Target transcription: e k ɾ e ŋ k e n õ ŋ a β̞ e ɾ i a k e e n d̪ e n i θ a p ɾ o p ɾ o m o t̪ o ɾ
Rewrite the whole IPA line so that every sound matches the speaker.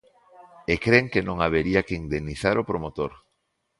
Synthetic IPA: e k ɾ e ŋ k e n õ ŋ a β̞ e ɾ i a k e i n d̪ e n i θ a ɾ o p ɾ o m o t̪ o ɾ